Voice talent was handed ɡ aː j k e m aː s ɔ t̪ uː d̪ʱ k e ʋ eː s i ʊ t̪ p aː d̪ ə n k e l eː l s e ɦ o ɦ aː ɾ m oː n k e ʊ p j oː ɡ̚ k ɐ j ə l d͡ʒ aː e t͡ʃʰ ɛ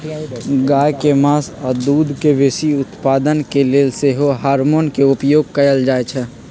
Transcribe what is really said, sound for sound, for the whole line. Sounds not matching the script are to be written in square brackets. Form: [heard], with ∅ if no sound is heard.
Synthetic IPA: ɡ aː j k e m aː s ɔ [d̪] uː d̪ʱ k e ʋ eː s i ʊ t̪ p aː d̪ ə n k e l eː l s e ɦ o ɦ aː ɾ m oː n k e ʊ p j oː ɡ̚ k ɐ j ə l d͡ʒ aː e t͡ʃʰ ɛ

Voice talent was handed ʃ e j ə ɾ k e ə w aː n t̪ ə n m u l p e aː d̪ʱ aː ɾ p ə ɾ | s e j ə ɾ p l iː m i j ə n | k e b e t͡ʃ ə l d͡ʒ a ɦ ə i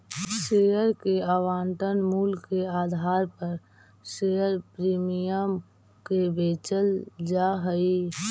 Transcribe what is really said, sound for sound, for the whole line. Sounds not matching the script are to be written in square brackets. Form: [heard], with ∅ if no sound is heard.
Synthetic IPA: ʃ e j ə ɾ k e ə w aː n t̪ ə n m u l [k] e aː d̪ʱ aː ɾ p ə ɾ | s e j ə ɾ p [ɾ] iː m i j ə [m] | k e b e t͡ʃ ə l d͡ʒ a ɦ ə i

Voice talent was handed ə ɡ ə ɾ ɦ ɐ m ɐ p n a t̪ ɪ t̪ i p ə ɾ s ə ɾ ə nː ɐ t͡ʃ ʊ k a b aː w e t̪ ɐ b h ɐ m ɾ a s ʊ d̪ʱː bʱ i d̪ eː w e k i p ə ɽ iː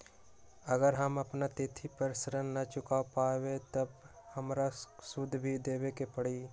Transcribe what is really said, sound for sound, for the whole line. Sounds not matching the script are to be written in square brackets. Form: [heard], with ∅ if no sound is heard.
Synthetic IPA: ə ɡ ə ɾ ɦ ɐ m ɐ p n a t̪ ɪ [t̪ʰ] i p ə ɾ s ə ɾ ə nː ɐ t͡ʃ ʊ k a [p] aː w e t̪ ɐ b h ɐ m ɾ a s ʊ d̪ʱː bʱ i d̪ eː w e k [e] p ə ɽ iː

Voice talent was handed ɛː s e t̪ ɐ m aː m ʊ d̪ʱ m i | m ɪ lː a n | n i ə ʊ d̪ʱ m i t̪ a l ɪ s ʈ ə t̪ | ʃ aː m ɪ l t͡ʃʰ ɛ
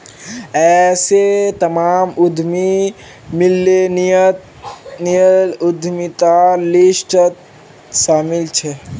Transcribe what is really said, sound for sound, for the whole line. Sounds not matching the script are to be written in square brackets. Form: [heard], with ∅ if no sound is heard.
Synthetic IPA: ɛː s e t̪ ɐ m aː m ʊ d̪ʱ m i | m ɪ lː [e] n | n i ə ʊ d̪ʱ m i t̪ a l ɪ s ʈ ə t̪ | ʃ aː m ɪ l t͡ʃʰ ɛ

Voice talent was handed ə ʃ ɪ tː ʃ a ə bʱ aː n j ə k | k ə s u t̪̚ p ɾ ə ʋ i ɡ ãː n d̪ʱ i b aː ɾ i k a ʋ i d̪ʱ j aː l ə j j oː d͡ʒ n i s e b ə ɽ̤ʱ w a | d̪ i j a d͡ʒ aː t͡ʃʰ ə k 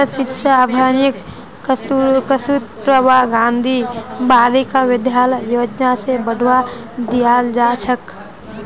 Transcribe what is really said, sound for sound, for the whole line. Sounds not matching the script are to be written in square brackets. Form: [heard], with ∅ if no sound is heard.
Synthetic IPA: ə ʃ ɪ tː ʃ a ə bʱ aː n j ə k | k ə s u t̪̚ p ɾ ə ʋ [a] ɡ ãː n d̪ʱ i b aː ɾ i k a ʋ [ɪ] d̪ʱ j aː l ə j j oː d͡ʒ n [a] s e b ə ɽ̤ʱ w a | d̪ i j a d͡ʒ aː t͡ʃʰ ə k

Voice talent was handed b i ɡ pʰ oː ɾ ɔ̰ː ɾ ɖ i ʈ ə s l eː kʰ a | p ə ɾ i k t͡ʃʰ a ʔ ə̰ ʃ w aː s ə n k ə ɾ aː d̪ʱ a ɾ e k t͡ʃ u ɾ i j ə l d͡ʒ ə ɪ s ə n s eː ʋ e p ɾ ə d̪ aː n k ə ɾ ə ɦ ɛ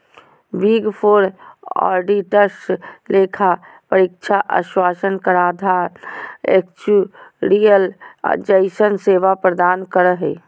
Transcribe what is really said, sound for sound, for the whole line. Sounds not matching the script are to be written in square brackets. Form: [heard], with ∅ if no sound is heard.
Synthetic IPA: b i ɡ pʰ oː ɾ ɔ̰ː ɾ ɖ i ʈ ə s l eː kʰ a | p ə ɾ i k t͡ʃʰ a ʔ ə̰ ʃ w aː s ə n k ə ɾ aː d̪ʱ a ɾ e k t͡ʃ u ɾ i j ə l d͡ʒ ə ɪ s ə n s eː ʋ [a] p ɾ ə d̪ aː n k ə ɾ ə ɦ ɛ

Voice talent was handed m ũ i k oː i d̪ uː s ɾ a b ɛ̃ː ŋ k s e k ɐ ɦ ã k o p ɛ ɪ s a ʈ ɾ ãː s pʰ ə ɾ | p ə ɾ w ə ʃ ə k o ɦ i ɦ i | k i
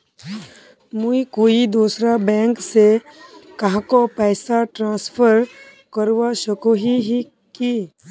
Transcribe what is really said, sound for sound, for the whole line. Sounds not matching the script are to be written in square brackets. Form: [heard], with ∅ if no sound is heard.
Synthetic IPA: m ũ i k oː i d̪ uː s ɾ a b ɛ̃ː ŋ k s e k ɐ ɦ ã k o p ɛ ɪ s a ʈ ɾ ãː s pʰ ə ɾ | [k] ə ɾ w [a] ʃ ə k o ɦ i ɦ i | k i

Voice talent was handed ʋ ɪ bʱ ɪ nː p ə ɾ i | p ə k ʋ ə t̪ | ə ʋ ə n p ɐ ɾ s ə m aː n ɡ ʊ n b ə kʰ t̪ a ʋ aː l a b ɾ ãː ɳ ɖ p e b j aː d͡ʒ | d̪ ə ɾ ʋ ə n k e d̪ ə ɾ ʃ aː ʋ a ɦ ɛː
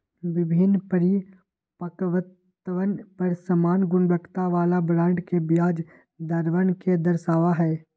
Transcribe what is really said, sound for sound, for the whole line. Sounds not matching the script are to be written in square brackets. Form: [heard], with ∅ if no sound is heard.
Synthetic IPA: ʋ ɪ bʱ ɪ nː p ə ɾ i | p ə k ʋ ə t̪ | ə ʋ ə n p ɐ ɾ s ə m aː n ɡ ʊ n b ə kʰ t̪ a ʋ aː l a b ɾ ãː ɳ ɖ [k] e b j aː d͡ʒ | d̪ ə ɾ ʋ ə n k e d̪ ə ɾ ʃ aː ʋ a ɦ ɛː

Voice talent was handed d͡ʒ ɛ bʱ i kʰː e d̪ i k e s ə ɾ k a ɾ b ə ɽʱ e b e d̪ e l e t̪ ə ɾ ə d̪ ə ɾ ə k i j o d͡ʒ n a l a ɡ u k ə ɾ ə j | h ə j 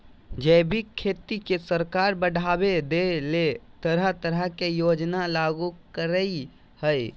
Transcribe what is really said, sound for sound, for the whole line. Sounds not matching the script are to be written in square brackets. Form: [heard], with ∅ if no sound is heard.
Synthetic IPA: d͡ʒ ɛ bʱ i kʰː e [t̪] i k e s ə ɾ k a ɾ b ə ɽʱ [a] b e d̪ e l e t̪ ə ɾ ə [t̪] ə ɾ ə k [e] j o d͡ʒ n a l a ɡ u k ə ɾ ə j | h ə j

